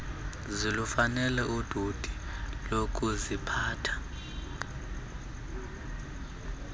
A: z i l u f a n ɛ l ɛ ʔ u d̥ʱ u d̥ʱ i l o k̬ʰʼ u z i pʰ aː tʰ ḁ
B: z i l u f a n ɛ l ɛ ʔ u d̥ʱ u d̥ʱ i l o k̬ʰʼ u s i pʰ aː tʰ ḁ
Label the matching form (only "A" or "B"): A